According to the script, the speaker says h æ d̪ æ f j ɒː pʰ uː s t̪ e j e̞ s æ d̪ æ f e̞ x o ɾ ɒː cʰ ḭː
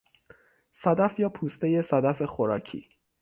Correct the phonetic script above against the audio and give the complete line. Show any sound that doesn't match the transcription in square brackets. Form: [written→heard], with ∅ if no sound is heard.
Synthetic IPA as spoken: [h→s] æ d̪ æ f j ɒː pʰ uː s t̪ e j e̞ s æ d̪ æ f e̞ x o ɾ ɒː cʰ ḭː

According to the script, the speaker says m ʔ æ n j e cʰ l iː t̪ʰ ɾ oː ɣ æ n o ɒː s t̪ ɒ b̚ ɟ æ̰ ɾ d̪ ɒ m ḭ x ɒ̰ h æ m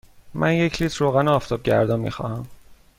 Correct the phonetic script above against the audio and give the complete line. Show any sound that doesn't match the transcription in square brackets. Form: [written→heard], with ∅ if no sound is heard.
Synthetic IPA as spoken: m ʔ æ n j e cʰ l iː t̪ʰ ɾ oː ɣ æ n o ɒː [s→f] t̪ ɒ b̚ ɟ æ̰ ɾ d̪ ɒ m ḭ x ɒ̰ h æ m

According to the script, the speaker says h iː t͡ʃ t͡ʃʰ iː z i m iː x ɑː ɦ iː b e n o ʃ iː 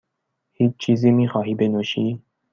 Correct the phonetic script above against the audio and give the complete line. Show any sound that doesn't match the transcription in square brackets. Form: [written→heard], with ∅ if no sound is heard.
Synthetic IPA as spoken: h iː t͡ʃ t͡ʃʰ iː z i m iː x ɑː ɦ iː b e n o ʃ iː

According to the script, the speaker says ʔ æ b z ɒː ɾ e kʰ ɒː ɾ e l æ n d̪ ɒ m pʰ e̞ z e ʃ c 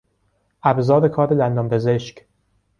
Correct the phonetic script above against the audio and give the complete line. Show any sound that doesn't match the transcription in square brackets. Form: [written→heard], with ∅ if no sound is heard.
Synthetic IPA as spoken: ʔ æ b z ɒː ɾ e kʰ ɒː ɾ e l æ n d̪ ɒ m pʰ e̞ z e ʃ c

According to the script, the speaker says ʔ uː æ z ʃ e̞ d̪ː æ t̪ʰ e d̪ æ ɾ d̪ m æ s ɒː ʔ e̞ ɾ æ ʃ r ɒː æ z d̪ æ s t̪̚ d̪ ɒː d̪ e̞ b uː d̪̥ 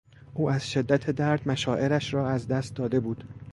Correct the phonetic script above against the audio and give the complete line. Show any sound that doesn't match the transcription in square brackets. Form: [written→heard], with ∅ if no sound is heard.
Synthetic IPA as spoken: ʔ uː æ z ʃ e̞ d̪ː æ t̪ʰ e d̪ æ ɾ d̪ m æ [s→ʃ] ɒː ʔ e̞ ɾ æ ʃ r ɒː æ z d̪ æ s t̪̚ d̪ ɒː d̪ e̞ b uː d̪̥

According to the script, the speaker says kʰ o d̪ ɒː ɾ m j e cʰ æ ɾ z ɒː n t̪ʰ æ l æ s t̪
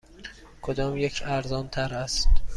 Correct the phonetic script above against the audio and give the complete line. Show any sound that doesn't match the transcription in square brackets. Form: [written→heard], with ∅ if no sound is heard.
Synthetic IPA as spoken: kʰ o d̪ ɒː [ɾ→∅] m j e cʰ æ ɾ z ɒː n t̪ʰ æ [l→ɾ] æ s t̪

